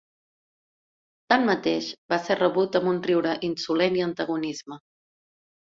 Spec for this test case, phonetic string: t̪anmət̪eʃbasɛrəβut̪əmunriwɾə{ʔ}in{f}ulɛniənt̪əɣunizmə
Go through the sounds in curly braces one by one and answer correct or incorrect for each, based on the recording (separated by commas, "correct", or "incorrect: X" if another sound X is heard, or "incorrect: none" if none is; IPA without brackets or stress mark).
correct, incorrect: s